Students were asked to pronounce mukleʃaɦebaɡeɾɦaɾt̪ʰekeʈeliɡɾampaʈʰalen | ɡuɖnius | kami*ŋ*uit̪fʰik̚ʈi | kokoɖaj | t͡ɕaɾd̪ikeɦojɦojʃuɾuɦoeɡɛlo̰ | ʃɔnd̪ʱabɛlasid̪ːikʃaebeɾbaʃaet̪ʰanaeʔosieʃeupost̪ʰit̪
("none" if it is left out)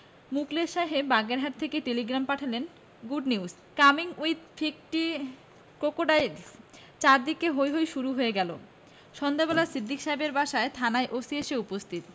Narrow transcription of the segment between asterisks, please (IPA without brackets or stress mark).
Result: ŋ